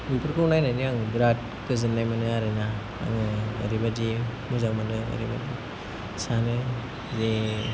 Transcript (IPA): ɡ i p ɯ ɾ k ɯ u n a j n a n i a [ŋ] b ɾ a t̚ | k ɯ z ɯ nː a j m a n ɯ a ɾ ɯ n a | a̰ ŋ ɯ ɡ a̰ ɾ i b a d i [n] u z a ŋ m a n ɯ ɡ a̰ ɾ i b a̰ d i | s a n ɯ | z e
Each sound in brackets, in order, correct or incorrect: correct, incorrect: m

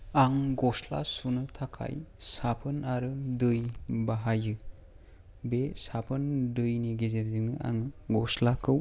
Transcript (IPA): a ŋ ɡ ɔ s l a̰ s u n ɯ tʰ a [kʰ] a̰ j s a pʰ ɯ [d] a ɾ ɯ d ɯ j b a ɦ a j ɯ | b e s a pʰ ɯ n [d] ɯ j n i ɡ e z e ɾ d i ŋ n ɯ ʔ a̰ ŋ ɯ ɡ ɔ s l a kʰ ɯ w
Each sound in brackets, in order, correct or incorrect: correct, incorrect: n, correct

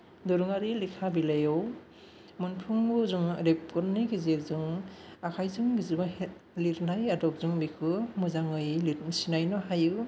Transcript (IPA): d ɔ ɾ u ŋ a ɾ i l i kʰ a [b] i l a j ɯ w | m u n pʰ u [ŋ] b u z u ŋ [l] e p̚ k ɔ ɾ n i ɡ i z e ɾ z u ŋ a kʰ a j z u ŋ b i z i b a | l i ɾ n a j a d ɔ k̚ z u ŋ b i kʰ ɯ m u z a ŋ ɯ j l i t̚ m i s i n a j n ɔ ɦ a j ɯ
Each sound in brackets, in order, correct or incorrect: correct, correct, incorrect: ɾ

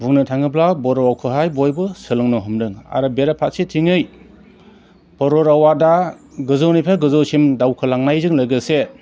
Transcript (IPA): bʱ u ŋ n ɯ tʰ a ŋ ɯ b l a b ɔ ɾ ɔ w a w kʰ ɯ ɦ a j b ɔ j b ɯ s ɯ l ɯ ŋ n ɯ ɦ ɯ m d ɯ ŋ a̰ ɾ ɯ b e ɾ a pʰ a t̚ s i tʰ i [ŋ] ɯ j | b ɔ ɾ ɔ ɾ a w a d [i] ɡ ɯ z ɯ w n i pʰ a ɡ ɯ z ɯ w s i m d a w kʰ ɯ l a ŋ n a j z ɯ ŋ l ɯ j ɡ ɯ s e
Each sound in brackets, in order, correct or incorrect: correct, incorrect: a

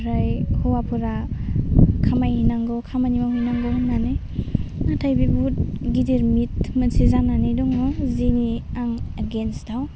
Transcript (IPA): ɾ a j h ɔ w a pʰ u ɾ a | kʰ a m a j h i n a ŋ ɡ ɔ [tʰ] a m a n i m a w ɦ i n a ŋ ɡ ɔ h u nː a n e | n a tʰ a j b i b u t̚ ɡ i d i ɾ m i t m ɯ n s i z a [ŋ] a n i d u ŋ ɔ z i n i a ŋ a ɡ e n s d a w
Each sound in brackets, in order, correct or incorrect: incorrect: kʰ, incorrect: n

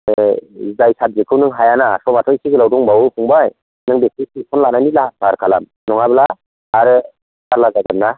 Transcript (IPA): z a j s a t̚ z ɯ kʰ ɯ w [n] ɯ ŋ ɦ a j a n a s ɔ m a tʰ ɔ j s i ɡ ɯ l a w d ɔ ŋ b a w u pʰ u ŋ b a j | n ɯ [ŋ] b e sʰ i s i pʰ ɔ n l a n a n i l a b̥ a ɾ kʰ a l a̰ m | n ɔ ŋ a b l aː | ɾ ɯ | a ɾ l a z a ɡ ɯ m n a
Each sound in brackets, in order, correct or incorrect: correct, correct

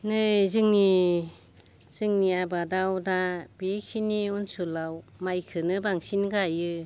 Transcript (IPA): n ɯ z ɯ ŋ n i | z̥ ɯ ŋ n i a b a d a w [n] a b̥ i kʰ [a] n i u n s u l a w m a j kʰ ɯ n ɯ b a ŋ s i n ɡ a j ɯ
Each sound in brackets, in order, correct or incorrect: incorrect: d, incorrect: i

